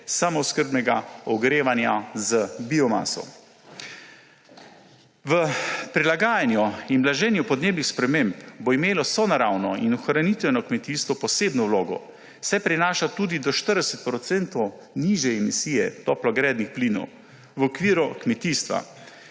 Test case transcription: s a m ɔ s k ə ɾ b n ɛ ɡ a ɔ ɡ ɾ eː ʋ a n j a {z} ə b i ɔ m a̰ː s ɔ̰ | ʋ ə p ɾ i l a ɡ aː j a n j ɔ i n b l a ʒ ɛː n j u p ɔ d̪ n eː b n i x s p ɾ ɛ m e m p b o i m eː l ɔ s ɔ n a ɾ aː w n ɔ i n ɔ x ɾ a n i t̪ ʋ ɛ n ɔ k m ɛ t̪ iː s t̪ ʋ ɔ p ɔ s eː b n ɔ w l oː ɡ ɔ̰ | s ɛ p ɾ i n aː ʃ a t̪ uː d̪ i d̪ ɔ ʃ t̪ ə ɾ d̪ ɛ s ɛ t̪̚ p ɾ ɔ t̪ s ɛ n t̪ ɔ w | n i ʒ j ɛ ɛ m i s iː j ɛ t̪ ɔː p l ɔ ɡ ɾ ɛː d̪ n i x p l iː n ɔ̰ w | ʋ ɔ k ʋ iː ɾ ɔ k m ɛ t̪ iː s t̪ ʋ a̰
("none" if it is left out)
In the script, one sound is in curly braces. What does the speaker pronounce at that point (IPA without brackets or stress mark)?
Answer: z